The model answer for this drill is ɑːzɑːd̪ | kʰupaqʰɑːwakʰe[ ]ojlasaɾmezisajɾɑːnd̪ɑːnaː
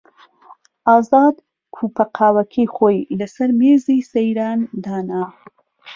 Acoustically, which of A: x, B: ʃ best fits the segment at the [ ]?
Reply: A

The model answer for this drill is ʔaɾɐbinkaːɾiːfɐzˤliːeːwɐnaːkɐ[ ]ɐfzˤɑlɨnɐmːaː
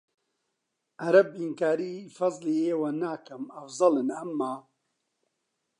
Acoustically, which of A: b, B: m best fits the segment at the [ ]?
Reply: B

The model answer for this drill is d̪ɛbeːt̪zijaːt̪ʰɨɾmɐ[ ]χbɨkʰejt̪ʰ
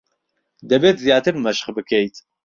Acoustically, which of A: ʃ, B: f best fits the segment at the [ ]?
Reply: A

